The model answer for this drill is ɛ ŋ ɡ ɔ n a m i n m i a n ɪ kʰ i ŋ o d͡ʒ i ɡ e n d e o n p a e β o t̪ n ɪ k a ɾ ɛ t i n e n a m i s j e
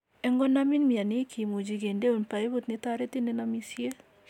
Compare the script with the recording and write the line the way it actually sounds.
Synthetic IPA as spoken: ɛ ŋ ɡ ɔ n a m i n m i a n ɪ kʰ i m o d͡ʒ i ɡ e n d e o n p a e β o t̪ n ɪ t a ɾ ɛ t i n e n a m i s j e